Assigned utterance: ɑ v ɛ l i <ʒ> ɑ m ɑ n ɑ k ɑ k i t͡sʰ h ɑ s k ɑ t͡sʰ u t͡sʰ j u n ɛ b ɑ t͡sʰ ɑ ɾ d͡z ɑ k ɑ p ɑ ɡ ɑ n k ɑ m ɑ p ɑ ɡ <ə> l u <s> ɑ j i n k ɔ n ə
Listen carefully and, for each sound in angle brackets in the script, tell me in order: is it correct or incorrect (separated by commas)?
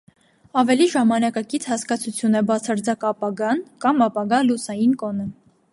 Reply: correct, incorrect, correct